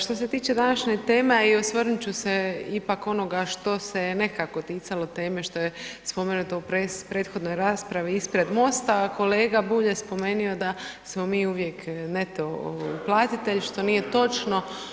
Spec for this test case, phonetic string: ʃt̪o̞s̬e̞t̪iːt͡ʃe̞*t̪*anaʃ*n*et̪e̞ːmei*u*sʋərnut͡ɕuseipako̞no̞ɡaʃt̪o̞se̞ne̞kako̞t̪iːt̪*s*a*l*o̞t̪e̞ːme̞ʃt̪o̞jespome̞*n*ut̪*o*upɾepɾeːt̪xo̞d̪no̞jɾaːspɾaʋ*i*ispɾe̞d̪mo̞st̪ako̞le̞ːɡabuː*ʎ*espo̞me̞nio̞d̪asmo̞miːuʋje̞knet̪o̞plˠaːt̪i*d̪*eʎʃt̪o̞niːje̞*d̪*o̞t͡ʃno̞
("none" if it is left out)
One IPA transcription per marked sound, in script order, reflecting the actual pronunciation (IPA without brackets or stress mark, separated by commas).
d̪, ɲ, o, s, l, n, o, i, ʎ, t̪, t̪